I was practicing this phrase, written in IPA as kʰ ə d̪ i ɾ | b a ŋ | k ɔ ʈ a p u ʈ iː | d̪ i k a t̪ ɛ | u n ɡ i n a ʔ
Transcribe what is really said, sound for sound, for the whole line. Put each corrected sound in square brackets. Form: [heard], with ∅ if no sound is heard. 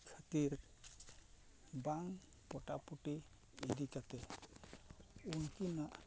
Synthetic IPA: kʰ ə [t̪] i ɾ | b a ŋ | [p] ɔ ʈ a p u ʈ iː | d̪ i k a t̪ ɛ | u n [k] i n a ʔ